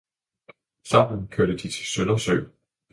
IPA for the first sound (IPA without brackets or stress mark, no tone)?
s